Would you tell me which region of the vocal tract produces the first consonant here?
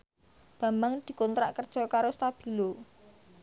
lips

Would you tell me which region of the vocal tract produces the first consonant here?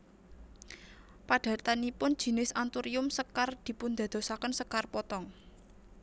lips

